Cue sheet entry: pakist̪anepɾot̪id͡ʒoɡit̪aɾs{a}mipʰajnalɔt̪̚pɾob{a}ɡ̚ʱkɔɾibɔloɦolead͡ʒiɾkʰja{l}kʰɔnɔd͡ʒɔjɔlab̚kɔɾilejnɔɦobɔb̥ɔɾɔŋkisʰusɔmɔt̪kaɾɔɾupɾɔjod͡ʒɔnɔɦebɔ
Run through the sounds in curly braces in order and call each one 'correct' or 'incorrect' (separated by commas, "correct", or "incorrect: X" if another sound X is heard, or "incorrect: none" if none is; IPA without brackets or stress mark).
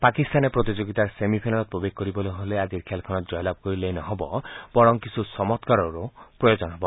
incorrect: e, incorrect: e, correct